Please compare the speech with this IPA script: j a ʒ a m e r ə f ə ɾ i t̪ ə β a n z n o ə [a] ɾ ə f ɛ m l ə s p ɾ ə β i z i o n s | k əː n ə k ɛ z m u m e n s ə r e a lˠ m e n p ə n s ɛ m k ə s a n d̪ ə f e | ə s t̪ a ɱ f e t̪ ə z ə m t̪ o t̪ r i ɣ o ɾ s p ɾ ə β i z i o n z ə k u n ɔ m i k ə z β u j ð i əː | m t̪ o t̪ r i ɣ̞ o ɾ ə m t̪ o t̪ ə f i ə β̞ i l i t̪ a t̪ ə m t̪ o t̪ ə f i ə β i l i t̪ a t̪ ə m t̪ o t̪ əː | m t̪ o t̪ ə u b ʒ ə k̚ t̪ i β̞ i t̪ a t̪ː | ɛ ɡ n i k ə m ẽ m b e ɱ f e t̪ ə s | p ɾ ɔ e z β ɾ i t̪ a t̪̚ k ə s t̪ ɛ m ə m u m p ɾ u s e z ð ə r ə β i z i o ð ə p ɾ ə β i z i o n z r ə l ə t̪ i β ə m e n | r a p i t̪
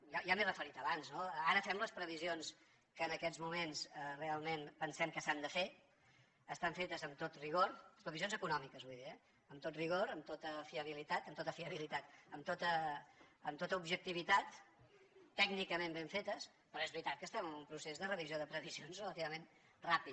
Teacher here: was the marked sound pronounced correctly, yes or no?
yes